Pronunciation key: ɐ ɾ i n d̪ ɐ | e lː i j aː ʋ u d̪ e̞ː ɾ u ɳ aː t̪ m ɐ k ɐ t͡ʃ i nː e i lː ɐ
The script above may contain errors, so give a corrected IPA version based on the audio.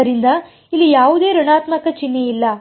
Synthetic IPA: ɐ ɾ i n d̪ ɐ | i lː i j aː ʋ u d̪ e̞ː ɾ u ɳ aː t̪ m ɐ k ɐ t͡ʃ i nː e i lː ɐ